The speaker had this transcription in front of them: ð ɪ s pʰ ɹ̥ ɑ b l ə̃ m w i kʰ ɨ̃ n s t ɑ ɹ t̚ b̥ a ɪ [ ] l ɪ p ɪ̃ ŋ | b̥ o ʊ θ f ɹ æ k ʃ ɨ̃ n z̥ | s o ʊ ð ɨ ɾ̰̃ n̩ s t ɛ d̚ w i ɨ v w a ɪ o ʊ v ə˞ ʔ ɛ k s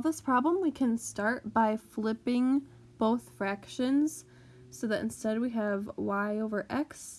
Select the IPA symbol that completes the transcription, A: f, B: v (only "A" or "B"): A